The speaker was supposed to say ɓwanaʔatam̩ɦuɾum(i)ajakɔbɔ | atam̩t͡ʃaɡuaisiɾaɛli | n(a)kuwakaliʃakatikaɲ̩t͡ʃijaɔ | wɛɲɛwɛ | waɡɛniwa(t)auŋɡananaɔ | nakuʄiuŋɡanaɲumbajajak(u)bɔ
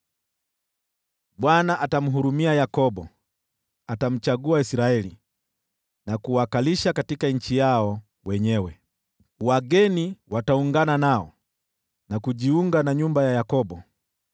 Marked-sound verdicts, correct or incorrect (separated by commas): correct, correct, correct, incorrect